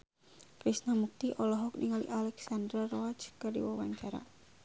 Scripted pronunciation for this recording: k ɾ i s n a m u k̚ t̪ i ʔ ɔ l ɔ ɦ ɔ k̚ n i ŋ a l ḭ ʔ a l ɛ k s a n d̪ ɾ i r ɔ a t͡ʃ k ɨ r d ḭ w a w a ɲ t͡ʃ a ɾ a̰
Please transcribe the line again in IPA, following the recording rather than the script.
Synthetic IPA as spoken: k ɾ i s n a m u k̚ t̪ i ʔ ɔ l ɔ ɦ ɔ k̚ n i ŋ a l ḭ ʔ a l ɛ k s a n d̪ ɾ a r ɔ a t͡ʃ k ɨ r d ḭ w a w a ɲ t͡ʃ a ɾ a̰